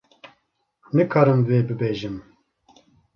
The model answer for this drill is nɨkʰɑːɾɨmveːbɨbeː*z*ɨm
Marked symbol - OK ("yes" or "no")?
no